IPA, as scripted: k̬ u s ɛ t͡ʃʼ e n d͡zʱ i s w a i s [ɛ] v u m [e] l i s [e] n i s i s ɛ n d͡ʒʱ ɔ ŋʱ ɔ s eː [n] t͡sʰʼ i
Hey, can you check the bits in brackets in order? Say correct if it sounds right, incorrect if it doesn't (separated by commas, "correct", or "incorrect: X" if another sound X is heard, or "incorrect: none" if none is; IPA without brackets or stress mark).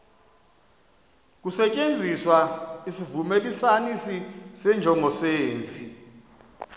incorrect: i, correct, incorrect: a, correct